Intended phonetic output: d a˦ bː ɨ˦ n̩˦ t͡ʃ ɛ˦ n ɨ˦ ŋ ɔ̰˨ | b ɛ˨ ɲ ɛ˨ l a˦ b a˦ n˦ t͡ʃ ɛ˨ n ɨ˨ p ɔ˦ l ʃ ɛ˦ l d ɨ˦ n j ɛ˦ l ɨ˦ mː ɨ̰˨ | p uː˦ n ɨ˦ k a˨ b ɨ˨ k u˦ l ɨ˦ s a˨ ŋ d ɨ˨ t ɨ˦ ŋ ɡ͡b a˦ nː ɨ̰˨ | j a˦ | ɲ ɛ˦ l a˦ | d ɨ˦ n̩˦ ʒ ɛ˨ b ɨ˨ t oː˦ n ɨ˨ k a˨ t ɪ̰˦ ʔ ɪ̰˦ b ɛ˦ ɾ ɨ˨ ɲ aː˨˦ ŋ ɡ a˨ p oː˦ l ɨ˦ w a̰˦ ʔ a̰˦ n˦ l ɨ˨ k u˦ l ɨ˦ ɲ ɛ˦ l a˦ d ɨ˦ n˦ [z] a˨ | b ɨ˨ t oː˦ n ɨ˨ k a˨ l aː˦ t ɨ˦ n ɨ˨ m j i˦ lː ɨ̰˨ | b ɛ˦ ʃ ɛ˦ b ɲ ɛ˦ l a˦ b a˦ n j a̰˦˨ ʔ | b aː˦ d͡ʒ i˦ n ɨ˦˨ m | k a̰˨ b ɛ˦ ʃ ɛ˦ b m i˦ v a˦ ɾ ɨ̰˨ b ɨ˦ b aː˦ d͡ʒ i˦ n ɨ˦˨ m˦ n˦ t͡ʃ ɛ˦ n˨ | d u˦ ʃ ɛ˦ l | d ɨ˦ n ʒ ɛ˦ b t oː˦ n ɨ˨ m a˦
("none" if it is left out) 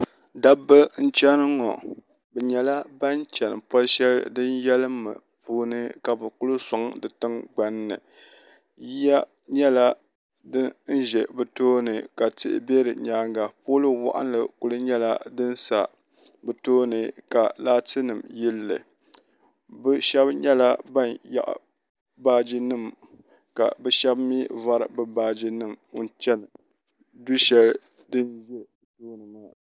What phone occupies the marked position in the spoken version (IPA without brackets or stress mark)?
s